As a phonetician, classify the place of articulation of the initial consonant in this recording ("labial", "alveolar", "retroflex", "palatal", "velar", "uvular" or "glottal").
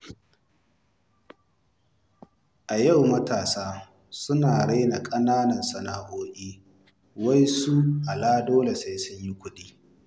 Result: glottal